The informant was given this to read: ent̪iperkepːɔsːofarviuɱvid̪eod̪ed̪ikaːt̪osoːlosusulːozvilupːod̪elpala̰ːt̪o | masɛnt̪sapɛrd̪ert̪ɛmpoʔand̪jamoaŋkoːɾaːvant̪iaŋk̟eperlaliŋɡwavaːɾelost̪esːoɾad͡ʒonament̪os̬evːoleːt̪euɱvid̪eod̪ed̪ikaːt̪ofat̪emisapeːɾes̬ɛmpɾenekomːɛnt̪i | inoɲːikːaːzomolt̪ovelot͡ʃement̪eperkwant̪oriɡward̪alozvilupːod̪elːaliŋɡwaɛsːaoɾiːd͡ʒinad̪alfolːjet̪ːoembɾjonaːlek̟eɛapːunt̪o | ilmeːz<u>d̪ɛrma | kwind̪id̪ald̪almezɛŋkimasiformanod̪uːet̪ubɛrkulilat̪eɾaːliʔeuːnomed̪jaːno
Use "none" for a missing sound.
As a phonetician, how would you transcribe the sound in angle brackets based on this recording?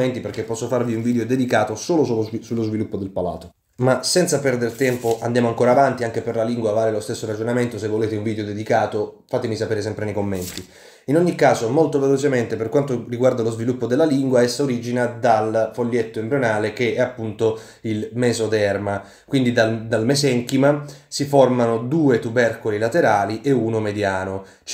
o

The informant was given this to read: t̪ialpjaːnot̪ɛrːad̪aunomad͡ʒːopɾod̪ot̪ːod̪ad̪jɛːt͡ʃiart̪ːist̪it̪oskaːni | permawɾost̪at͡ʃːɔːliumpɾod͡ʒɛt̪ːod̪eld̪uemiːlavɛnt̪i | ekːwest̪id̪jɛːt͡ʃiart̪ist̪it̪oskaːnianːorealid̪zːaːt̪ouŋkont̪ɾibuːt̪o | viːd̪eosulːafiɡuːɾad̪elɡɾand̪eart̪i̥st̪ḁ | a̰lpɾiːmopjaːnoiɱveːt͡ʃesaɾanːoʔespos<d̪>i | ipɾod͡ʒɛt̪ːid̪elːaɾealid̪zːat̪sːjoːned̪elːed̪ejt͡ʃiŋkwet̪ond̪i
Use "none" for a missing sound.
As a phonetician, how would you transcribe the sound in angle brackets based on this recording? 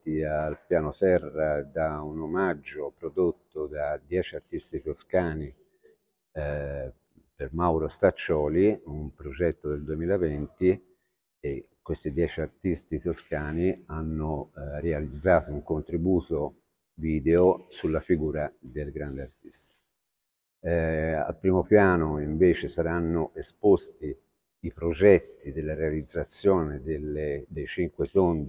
t̪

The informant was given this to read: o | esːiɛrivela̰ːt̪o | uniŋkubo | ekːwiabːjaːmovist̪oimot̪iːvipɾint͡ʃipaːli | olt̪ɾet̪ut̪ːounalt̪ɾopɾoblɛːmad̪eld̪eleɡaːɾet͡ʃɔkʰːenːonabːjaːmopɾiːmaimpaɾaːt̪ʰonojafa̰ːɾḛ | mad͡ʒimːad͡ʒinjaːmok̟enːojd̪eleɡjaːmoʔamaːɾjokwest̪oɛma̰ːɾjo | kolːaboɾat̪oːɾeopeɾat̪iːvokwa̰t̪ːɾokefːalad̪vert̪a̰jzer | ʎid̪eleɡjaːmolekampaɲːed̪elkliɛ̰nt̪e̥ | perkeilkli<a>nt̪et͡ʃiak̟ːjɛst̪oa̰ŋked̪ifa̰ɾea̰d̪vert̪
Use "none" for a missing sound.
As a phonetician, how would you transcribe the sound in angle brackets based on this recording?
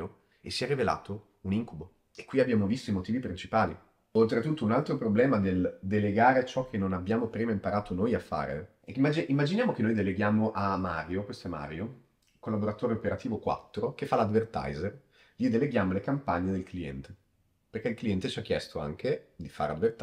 ɛ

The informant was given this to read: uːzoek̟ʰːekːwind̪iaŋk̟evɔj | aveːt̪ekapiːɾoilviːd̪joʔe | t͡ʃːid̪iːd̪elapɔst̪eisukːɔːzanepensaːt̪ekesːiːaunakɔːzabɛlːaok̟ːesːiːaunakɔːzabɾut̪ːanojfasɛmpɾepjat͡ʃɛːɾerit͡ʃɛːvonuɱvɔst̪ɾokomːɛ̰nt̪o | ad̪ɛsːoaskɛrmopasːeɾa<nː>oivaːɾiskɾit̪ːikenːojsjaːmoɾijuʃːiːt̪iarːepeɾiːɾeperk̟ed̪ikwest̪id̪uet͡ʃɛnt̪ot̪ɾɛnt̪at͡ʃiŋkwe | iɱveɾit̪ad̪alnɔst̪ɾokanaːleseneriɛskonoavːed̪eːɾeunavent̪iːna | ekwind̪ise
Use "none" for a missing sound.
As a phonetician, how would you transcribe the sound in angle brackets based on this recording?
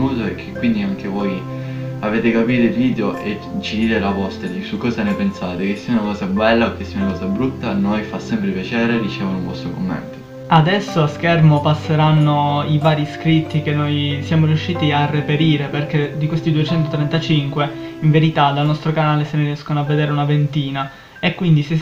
nː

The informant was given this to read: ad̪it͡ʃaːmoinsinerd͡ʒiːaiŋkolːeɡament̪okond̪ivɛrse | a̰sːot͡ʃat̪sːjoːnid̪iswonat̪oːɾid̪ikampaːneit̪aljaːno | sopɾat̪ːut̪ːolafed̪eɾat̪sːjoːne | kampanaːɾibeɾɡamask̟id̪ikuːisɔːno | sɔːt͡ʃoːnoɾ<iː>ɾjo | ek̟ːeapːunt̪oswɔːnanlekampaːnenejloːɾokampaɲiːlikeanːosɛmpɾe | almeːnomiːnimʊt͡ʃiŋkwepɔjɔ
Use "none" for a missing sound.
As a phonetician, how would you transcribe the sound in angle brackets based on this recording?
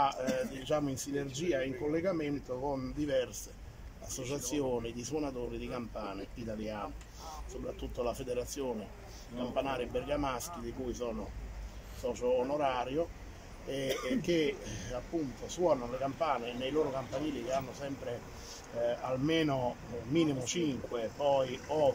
aː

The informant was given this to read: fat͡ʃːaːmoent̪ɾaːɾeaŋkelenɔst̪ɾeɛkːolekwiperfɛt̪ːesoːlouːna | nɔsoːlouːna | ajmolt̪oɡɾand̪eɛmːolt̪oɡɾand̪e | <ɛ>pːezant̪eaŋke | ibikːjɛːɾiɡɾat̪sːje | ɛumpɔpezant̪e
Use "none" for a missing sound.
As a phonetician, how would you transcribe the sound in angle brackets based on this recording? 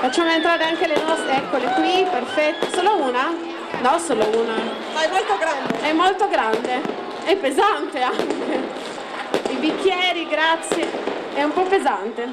ɛ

